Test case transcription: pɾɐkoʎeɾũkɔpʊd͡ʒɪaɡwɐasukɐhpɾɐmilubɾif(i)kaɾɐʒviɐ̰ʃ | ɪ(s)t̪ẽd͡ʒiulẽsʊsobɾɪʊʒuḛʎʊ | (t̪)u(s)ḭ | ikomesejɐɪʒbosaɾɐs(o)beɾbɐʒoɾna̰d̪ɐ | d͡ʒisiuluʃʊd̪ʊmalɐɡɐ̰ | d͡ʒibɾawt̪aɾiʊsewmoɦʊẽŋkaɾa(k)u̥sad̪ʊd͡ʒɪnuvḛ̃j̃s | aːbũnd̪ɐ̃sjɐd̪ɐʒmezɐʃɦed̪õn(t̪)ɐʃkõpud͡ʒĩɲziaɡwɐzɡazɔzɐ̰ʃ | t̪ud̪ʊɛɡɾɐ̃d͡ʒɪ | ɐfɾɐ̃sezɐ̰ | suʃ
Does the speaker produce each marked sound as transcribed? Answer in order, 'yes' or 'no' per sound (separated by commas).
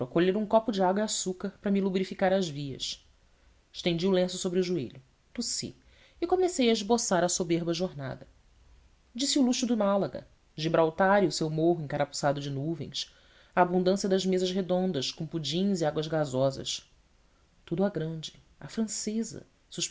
yes, no, yes, yes, yes, no, no